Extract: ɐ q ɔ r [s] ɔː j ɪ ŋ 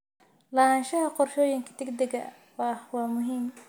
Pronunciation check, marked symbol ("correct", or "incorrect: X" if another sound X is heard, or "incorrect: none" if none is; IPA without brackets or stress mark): incorrect: ʃ